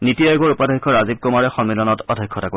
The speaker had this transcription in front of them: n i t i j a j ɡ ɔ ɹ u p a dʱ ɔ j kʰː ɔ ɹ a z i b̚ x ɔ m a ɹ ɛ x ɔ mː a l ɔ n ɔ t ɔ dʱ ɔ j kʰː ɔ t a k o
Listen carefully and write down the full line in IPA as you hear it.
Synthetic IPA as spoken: n i t i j a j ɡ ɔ ɹ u p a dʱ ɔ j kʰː ɔ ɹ a z i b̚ k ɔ m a ɹ ɛ x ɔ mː i l ɔ n ɔ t ɔ dʱ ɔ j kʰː ɔ t a k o